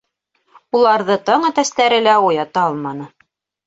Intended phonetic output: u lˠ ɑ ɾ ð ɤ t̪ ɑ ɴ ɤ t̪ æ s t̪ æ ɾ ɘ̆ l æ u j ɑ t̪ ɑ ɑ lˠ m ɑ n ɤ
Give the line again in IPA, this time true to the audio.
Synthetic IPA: u lˠ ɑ ɾ ð ɤ t̪ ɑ ɴ ɤ t̪ æ s t̪ æ ɾ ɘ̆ l æ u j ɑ t̪ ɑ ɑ lˠ m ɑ n ɤ

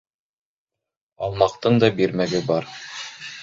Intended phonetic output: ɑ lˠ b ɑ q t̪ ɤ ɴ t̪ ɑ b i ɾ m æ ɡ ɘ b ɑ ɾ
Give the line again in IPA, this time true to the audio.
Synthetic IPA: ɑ lˠ m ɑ q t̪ ɤ ɴ d̪ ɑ b i ɾ m æ ɡ ɘ b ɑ ɾ

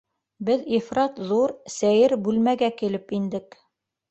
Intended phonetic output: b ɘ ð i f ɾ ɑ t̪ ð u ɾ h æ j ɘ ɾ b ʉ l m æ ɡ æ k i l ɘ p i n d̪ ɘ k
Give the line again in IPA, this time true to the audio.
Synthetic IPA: b ɘ ð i f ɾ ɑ t̪ ð u ɾ s æ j ɘ ɾ b ʉ l m æ ɡ æ k i l ɘ p i n d̪ ɘ k

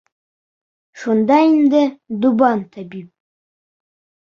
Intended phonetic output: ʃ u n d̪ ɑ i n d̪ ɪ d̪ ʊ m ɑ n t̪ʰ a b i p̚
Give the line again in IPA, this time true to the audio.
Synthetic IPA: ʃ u n d̪ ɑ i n d̪ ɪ d̪ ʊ b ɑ n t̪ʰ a b i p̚

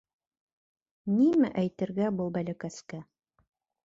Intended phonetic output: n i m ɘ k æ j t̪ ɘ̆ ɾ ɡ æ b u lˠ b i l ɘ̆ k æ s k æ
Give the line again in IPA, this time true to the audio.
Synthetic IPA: n i m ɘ ʔ æ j t̪ ɘ̆ ɾ ɡ æ b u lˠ b æ l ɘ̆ k æ s k æ

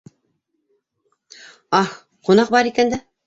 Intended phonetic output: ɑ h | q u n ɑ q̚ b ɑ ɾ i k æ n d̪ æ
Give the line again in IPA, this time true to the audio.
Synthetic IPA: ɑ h | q u n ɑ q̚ b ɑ ɾ i k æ n d̪ æ

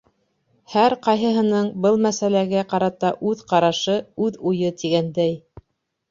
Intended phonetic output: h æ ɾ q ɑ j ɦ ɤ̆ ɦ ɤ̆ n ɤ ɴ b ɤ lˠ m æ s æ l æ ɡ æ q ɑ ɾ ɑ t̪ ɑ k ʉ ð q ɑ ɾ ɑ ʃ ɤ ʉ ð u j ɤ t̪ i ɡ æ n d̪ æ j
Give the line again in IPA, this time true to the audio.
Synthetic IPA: h æ ɾ q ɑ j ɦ ɤ̆ ɦ ɤ̆ n ɤ ɴ b ɤ lˠ m æ s æ l æ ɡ æ q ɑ ɾ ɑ t̪ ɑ ʔ ʉ ð q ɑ ɾ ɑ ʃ ɤ ʉ ð u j ɤ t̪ i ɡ æ n d̪ æ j

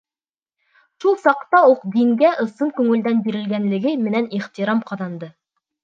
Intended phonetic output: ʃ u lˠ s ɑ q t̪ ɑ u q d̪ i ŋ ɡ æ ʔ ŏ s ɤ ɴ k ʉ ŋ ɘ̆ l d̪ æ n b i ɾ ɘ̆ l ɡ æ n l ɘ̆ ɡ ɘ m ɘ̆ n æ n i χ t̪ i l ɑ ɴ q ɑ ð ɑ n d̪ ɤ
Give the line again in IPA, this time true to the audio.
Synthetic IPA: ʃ u lˠ s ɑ q t̪ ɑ u q d̪ i ŋ ɡ æ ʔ ɤ̆ s ɤ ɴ k ʉ ŋ ɘ̆ l d̪ æ n b i ɾ ɘ̆ l ɡ æ n l ɘ̆ ɡ ɘ m ɘ̆ n æ n i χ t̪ i ɾ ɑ m q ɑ ð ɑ n d̪ ɤ

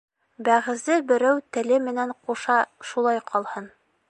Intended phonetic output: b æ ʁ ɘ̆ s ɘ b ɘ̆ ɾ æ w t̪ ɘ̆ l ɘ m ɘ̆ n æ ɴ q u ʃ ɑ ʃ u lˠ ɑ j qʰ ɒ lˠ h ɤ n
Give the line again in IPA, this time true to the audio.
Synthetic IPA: b æ ʁ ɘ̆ z ɘ b ɘ̆ ɾ æ w t̪ ɘ̆ l ɘ m ɘ̆ n æ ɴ q u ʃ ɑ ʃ u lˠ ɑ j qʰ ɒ lˠ h ɤ n

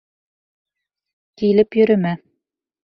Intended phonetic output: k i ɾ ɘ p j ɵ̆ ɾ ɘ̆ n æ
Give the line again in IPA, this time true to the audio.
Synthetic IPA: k i l ɘ p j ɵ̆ ɾ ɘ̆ m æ

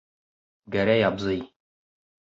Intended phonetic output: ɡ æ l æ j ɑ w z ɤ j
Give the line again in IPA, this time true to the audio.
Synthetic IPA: ɡ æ ɾ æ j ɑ b z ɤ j

